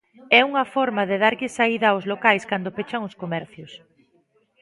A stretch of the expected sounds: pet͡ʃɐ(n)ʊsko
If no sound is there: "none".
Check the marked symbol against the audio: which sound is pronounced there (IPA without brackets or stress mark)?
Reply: ŋ